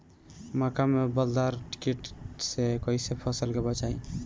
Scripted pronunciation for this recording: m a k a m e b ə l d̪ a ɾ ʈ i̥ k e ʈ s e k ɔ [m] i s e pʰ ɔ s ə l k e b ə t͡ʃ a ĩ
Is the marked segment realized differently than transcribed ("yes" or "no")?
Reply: yes